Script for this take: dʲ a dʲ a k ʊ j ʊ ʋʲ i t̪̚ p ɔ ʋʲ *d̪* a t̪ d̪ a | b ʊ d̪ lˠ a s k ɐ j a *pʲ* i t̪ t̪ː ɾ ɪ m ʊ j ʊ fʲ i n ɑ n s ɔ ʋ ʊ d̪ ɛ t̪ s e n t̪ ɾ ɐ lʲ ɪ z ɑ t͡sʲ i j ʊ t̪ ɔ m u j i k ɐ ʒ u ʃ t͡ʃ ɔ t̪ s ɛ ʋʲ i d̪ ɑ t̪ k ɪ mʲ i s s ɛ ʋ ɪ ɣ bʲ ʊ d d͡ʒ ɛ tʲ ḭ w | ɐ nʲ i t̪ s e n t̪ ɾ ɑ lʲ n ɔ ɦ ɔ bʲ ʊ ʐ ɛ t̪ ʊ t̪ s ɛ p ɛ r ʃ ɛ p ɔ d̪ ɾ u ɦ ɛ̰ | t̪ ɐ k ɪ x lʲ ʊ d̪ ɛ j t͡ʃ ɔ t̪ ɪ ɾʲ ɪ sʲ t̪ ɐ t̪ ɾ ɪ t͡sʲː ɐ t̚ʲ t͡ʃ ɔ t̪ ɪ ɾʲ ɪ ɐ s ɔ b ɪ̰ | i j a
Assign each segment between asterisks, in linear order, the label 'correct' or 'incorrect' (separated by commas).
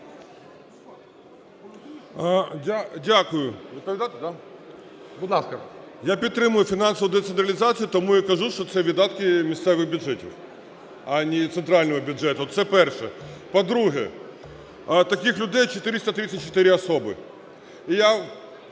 correct, correct